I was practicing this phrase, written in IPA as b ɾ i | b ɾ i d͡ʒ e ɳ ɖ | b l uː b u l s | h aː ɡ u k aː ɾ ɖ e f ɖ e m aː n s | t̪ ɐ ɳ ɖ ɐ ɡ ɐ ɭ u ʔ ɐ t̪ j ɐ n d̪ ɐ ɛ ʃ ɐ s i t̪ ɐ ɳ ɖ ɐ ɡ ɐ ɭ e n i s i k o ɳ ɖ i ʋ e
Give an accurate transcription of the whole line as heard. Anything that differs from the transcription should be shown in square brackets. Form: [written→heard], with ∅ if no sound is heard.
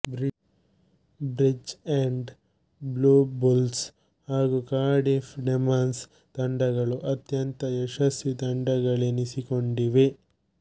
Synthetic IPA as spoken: b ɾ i | b ɾ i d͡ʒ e ɳ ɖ | b l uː b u l s | h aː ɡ u k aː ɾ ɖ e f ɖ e m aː n s | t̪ ɐ ɳ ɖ ɐ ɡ ɐ ɭ u ʔ ɐ t̪ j ɐ n [d̪→t̪] ɐ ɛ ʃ ɐ s i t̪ ɐ ɳ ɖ ɐ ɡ ɐ ɭ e n i s i k o ɳ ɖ i ʋ e